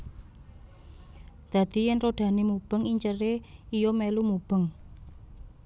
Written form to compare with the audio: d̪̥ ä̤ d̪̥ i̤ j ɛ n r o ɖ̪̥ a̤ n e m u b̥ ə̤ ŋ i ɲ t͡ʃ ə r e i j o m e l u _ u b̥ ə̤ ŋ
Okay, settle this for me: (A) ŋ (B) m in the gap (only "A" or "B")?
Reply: B